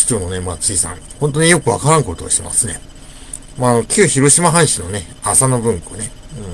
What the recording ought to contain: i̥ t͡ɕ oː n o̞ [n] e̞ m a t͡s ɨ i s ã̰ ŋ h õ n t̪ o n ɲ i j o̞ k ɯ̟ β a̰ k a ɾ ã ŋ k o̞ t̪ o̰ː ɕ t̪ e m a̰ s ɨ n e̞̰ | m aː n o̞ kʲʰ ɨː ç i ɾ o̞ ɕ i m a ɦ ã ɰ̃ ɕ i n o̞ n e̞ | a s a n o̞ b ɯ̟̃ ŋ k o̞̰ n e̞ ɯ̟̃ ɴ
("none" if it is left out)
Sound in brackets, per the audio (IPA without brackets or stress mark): n